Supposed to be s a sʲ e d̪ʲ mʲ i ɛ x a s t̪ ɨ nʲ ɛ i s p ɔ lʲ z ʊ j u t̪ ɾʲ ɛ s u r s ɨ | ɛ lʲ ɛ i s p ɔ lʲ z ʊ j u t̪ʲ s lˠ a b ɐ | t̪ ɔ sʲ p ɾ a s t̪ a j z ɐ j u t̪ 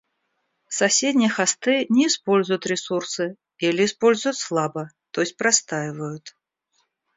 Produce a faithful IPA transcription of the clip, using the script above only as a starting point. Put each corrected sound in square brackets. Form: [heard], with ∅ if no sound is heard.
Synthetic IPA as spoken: s a sʲ e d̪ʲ [nʲ] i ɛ x a s t̪ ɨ nʲ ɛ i s p ɔ lʲ z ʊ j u t̪ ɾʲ ɛ s u r s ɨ | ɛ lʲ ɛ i s p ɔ lʲ z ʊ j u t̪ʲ s lˠ a b ɐ | t̪ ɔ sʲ p ɾ a s t̪ a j [v] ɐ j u t̪